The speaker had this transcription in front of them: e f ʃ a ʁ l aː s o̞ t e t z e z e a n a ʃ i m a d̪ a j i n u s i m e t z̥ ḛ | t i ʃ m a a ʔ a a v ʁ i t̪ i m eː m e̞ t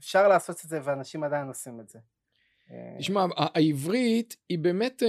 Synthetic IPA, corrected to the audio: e f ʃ a ʁ l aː s o̞ t e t z e v e a n a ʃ i m a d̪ a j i n o s i m e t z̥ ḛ | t i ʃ m a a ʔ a i v ʁ i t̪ i b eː m e̞ t